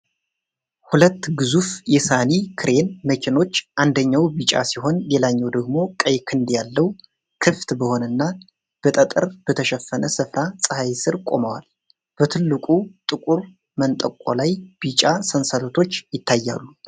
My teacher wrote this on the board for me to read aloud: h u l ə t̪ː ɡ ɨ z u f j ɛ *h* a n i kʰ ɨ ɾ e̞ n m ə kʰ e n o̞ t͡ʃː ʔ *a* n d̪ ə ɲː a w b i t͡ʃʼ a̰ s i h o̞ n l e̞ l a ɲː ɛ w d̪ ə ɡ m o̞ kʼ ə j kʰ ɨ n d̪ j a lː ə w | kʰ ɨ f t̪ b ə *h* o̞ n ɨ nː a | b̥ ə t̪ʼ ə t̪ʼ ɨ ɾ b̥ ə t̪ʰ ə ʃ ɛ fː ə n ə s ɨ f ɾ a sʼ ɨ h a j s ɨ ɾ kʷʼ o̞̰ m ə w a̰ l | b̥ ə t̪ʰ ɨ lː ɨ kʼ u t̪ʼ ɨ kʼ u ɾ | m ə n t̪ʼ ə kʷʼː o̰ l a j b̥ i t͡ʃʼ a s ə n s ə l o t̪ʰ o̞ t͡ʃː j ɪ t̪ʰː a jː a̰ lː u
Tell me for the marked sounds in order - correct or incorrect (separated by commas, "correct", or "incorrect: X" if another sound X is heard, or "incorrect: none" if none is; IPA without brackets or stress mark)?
incorrect: s, correct, correct